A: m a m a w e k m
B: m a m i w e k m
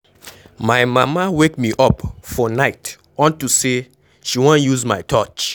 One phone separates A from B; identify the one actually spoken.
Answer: A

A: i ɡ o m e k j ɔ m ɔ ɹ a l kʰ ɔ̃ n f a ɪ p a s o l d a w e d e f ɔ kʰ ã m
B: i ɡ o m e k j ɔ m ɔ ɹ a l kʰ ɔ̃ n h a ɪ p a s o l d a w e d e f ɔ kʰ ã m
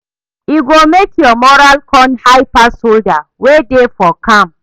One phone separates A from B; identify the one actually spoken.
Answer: B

